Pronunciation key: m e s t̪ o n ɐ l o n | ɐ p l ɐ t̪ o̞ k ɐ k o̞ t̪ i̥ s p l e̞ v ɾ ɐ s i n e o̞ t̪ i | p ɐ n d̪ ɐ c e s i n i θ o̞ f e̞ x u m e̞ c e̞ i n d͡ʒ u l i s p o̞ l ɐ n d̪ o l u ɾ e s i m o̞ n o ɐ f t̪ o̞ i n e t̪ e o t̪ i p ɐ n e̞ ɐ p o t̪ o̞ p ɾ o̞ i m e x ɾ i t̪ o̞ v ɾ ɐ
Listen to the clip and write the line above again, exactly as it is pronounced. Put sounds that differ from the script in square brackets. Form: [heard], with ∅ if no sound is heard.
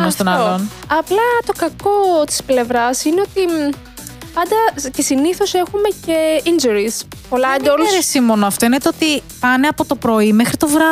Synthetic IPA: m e s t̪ o n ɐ l o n | ɐ p l ɐ t̪ o̞ k ɐ k o̞ t̪ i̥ s p l e̞ v ɾ ɐ s i n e o̞ t̪ i | p ɐ n d̪ ɐ c e s i n i θ o̞ [s] e̞ x u m e̞ c e̞ i n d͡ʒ u [ɾ] i s p o̞ l ɐ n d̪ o l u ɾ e s i m o̞ n o ɐ f t̪ o̞ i n e t̪ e o t̪ i p ɐ n e̞ ɐ p o t̪ o̞ p ɾ o̞ i m e x ɾ i t̪ o̞ v ɾ ɐ